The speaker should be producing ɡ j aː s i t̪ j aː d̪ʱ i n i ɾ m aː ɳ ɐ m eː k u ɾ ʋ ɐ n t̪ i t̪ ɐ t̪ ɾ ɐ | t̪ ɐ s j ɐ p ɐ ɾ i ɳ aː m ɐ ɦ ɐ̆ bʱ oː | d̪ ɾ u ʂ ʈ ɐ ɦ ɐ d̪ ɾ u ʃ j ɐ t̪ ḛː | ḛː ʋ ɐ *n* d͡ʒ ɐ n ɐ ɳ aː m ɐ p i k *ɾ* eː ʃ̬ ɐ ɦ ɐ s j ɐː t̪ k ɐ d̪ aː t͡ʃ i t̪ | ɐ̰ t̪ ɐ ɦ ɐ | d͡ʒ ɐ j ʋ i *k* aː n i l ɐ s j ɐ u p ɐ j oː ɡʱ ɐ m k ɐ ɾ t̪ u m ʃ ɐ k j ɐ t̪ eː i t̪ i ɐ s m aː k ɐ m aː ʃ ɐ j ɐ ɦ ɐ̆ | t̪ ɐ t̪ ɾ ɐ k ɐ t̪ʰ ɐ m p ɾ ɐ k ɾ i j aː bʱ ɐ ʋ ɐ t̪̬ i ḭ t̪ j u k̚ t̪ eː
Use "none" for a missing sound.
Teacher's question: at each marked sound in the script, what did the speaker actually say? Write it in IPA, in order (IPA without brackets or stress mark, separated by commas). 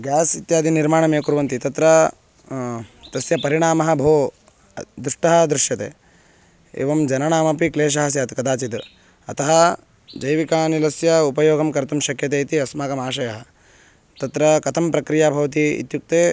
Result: m, l, k